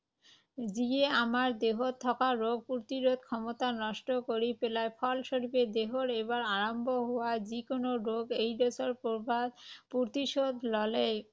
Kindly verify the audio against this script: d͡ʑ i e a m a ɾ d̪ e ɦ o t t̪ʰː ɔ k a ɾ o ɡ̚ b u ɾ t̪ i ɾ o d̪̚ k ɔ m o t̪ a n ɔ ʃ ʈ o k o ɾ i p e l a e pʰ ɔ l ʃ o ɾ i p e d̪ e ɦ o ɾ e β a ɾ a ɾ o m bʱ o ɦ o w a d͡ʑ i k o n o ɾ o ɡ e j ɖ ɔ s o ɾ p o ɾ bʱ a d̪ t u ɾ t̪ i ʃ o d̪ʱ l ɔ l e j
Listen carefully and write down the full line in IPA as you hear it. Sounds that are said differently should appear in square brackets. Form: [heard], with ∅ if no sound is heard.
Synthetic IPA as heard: d͡ʑ i e a m a ɾ d̪ e ɦ o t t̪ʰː ɔ k a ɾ o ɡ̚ [p] u ɾ t̪ i ɾ o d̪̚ [kʰ] ɔ m o t̪ a n ɔ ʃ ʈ o k o ɾ i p e l a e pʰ ɔ l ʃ o ɾ i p e d̪ e ɦ o ɾ e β a ɾ a ɾ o m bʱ o ɦ o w a d͡ʑ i k o n o ɾ o ɡ e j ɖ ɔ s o ɾ p o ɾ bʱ a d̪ [p] u ɾ t̪ i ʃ o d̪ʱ l ɔ l e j